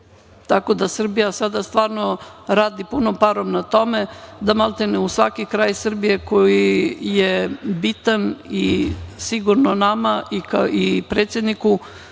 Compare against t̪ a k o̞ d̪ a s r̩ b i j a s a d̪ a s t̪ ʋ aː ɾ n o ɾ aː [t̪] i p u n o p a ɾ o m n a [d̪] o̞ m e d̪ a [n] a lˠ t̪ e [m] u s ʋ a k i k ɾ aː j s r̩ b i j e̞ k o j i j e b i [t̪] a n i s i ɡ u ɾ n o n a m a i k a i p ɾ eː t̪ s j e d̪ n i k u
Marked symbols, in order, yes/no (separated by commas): no, no, no, no, yes